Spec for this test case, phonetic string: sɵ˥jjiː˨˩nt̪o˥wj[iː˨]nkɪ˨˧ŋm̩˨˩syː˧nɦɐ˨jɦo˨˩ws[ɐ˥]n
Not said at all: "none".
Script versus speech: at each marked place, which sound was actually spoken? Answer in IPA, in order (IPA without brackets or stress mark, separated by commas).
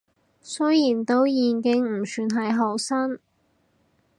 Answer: iː˨, ɐ˥